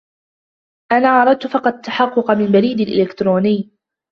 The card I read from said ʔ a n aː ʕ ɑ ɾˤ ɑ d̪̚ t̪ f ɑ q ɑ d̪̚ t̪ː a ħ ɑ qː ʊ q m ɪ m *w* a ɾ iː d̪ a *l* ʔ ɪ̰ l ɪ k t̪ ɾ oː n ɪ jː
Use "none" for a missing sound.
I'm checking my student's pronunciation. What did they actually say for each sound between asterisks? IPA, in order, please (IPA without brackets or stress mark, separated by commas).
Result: b, l